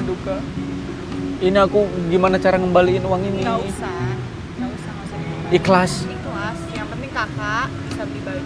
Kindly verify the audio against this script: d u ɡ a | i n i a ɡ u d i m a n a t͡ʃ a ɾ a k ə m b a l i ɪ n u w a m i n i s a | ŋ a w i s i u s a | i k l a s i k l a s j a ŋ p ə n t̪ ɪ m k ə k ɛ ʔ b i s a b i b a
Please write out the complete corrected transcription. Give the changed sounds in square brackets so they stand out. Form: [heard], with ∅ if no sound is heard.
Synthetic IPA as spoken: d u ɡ a | i n i a [k] u [ɡ] i m a n a t͡ʃ a ɾ a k ə m b a l i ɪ n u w a [ŋ] i n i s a | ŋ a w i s [a] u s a | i k l a s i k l a s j a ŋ p ə n t̪ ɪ [ŋ] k [a] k [a] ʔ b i s a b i b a